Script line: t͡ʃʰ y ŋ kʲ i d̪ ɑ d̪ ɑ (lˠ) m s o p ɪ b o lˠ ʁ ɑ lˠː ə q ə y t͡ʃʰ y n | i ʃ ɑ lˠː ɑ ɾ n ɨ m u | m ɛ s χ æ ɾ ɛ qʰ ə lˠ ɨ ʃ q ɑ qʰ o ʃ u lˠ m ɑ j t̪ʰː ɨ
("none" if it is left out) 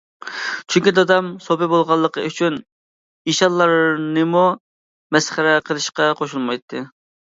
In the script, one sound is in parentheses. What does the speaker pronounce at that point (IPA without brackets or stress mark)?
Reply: none